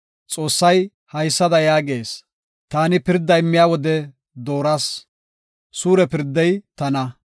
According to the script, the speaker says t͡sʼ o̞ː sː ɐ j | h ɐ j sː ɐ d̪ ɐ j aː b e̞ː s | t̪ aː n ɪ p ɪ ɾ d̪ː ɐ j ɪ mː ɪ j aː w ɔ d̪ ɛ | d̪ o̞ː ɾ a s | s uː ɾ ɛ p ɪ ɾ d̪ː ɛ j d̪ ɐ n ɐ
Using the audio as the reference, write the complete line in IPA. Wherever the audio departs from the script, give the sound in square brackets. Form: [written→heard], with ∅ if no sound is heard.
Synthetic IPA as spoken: t͡sʼ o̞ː sː ɐ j | h ɐ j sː ɐ d̪ ɐ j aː [b→ɡ] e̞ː s | t̪ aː n ɪ p ɪ ɾ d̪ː ɐ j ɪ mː ɪ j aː w ɔ d̪ ɛ | d̪ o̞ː ɾ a s | s uː ɾ ɛ p ɪ ɾ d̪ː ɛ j [d̪→t̪] ɐ n ɐ